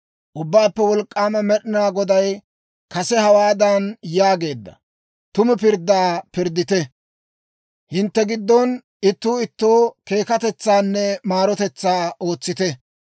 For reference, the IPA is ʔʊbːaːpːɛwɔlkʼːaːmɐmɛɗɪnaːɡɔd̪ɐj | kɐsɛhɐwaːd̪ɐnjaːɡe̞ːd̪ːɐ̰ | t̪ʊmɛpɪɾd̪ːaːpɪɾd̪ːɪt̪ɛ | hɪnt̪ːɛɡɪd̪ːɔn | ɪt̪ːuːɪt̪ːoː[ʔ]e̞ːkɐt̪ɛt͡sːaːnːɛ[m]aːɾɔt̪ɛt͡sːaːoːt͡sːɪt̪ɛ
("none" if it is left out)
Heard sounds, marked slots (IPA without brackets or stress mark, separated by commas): k, m